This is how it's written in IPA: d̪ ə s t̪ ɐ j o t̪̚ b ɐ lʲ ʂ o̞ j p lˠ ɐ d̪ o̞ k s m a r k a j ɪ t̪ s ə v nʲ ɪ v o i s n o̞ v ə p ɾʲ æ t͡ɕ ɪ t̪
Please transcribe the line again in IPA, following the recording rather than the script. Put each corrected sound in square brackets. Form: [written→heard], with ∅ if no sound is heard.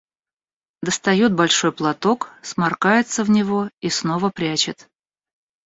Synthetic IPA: d̪ ə s t̪ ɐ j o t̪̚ b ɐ lʲ ʂ o̞ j p lˠ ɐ [d̪→t̪] o̞ k s m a r k a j ɪ t̪ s ə v nʲ ɪ v o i s n o̞ v ə p ɾʲ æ t͡ɕ ɪ t̪

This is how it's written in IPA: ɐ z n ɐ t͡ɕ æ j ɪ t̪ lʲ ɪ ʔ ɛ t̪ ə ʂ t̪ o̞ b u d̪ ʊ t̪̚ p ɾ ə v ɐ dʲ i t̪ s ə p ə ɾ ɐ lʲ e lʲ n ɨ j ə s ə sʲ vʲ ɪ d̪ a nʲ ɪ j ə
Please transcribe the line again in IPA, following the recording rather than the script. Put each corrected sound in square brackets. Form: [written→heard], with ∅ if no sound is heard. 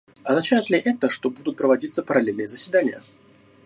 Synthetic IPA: ɐ z n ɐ t͡ɕ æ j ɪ t̪ lʲ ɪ ʔ ɛ t̪ ə ʂ t̪ o̞ b u d̪ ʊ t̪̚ p ɾ ə v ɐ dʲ i t̪ s ə p ə ɾ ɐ lʲ e lʲ n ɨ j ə [s→z] ə sʲ vʲ ɪ d̪ a nʲ ɪ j ə

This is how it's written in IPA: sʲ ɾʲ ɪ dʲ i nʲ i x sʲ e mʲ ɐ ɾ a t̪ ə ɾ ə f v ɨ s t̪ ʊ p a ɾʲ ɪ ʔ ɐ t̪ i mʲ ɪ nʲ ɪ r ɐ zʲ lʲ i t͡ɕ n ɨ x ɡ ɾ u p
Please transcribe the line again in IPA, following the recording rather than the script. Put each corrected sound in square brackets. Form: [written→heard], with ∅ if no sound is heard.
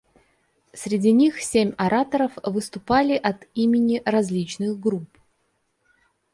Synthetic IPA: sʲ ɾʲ ɪ dʲ i nʲ i x sʲ e mʲ ɐ ɾ a t̪ ə ɾ ə f v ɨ s t̪ ʊ p a [ɾʲ→lʲ] ɪ ʔ ɐ t̪ i mʲ ɪ nʲ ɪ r ɐ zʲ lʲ i t͡ɕ n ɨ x ɡ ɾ u p

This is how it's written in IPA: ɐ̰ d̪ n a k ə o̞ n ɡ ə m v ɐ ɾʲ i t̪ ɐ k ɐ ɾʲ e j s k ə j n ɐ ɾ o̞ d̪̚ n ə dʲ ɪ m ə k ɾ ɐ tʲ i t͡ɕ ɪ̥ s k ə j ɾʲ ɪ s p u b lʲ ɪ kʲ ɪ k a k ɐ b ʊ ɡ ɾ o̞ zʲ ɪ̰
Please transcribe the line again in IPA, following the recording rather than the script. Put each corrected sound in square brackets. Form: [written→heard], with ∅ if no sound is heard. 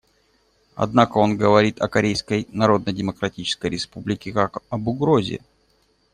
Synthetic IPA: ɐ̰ d̪ n a k ə o̞ n ɡ ə [m→∅] v ɐ ɾʲ i t̪ ɐ k ɐ ɾʲ e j s k ə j n ɐ ɾ o̞ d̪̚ n ə dʲ ɪ m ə k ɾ ɐ tʲ i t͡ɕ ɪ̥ s k ə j ɾʲ ɪ s p u b lʲ ɪ kʲ ɪ k a k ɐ b ʊ ɡ ɾ o̞ zʲ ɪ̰

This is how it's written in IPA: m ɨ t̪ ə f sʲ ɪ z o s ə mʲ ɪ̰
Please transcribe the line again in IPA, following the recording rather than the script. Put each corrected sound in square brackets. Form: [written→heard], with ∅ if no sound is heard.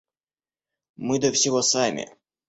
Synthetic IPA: m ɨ [t̪→d̪] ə f sʲ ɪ [z→v] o s [ə→a] mʲ ɪ̰

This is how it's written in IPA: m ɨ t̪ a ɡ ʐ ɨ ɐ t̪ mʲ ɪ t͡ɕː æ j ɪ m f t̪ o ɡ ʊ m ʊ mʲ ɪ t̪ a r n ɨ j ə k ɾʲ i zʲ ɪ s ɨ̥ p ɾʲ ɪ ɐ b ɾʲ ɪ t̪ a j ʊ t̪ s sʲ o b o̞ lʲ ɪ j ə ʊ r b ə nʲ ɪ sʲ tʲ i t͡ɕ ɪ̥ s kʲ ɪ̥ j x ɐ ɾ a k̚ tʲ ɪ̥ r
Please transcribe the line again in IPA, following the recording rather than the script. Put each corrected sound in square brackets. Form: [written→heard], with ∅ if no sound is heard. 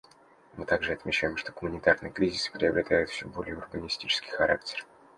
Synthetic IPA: m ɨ t̪ a ɡ ʐ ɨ ɐ t̪ mʲ ɪ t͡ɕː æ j ɪ m [f→ʂ] t̪ o ɡ ʊ m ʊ [mʲ→nʲ] ɪ t̪ a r n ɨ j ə k ɾʲ i zʲ ɪ s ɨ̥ p ɾʲ ɪ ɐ b ɾʲ ɪ t̪ a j ʊ t̪ [s→f] sʲ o b o̞ lʲ ɪ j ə ʊ r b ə nʲ ɪ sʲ tʲ i t͡ɕ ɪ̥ s kʲ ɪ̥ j x ɐ ɾ a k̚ tʲ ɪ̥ r

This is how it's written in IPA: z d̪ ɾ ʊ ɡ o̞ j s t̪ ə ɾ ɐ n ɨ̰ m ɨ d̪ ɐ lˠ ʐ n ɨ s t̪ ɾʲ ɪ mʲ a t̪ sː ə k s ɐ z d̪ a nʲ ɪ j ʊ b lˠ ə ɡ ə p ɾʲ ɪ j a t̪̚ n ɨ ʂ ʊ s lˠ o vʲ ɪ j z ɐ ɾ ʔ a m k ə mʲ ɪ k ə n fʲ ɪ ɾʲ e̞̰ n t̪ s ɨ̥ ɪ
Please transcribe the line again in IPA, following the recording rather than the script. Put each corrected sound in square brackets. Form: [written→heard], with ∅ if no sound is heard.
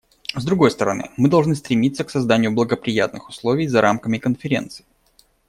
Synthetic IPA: z d̪ ɾ ʊ ɡ o̞ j s t̪ ə ɾ ɐ n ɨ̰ m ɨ d̪ ɐ lˠ ʐ n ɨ s t̪ ɾʲ ɪ mʲ [a→i] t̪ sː ə k s ɐ z d̪ a nʲ ɪ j ʊ b lˠ ə ɡ ə p ɾʲ ɪ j a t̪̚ n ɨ [ʂ→x] ʊ s lˠ o vʲ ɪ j z ɐ ɾ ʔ a m k ə mʲ ɪ k ə n fʲ ɪ ɾʲ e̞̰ n t̪ s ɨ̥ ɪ

